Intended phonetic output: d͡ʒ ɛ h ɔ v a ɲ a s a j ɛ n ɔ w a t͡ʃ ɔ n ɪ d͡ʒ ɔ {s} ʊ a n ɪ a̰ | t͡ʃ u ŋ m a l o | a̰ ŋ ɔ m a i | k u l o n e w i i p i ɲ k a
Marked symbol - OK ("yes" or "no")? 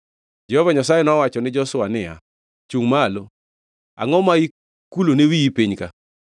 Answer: yes